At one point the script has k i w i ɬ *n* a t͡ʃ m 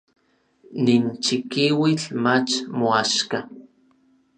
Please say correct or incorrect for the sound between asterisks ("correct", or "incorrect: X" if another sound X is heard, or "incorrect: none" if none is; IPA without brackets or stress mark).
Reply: incorrect: m